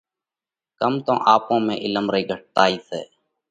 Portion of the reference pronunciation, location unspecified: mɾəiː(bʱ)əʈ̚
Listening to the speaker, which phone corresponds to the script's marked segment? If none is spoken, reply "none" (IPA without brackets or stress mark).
ɡʱ